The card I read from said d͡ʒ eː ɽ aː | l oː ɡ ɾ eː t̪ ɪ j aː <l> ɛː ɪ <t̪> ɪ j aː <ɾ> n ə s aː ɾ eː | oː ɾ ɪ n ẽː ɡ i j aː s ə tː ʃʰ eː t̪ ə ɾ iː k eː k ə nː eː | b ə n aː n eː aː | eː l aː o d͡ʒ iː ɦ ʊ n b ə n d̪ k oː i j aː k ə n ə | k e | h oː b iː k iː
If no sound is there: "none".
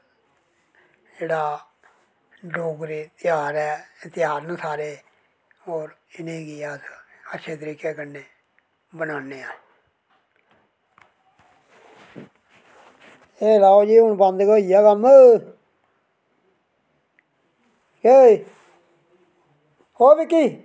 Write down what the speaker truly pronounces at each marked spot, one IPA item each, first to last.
ɾ, t̪, ɾ

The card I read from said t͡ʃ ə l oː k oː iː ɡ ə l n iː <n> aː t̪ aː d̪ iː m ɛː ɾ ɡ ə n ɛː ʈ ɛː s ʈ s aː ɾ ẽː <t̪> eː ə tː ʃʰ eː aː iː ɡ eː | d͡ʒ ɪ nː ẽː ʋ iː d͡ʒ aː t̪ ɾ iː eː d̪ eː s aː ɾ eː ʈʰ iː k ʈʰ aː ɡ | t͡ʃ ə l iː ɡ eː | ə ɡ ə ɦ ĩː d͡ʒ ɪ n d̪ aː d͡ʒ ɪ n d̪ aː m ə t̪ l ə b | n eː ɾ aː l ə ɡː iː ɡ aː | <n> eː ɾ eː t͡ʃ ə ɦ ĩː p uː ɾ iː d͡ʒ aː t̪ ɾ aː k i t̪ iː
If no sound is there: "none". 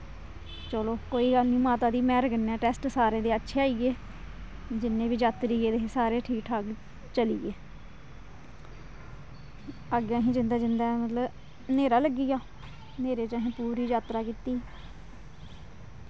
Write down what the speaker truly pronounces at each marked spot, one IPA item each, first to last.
m, d̪, n

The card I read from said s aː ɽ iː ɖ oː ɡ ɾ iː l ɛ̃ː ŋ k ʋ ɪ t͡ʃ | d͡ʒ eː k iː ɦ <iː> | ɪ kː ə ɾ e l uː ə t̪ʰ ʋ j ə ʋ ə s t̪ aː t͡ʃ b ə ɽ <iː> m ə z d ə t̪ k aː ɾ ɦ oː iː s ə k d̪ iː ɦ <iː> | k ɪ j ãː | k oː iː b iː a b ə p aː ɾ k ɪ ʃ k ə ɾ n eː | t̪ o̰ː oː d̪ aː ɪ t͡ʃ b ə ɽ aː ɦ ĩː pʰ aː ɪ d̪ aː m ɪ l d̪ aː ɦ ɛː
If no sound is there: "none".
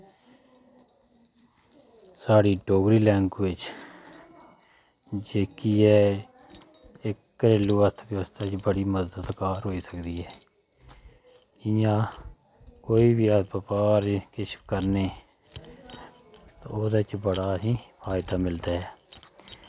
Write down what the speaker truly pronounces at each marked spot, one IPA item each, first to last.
ɛː, iː, ɛː

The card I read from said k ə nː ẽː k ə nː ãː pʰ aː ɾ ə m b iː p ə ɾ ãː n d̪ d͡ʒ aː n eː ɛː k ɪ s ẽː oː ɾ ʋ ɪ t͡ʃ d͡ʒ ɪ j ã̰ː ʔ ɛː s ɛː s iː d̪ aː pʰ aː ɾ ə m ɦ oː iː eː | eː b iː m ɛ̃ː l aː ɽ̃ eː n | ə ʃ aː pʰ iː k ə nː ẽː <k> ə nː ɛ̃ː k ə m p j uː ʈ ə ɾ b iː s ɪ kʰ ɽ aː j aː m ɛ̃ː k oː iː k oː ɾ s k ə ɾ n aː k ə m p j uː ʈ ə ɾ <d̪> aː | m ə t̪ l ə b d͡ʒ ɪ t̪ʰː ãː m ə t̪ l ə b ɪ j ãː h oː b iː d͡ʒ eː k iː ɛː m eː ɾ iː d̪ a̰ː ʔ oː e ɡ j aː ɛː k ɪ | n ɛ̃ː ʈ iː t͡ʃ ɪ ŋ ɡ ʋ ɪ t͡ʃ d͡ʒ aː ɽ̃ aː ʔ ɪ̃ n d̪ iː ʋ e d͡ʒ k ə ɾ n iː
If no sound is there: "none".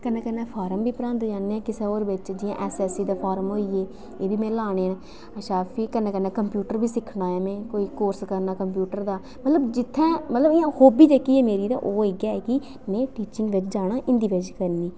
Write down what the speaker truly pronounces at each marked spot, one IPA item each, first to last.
k, d̪

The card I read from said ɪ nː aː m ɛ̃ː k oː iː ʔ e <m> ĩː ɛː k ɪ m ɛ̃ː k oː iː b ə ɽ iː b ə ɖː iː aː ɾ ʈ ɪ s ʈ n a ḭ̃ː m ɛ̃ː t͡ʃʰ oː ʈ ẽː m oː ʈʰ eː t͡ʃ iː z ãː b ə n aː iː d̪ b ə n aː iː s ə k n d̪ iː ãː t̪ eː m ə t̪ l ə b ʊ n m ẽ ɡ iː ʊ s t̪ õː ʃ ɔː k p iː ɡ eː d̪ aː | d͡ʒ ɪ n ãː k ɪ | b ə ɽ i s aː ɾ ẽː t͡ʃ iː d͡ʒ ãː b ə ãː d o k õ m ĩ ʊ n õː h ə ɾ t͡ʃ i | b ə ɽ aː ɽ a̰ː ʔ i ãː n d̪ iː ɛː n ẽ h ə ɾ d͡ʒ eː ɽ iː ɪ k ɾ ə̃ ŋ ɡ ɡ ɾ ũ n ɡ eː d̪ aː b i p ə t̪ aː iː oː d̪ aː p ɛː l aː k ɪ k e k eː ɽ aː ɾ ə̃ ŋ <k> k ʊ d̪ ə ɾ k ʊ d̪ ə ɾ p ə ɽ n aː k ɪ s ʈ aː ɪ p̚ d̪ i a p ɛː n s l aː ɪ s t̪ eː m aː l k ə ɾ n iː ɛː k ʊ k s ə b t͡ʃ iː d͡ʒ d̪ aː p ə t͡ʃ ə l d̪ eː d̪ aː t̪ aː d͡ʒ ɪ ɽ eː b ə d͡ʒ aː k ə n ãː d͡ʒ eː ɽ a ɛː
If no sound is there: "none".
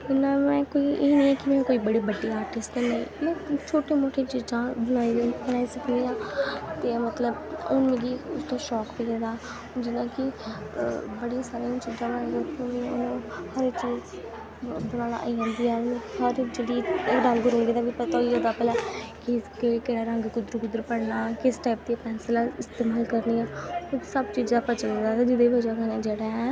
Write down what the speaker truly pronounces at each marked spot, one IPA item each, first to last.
n, ɡ

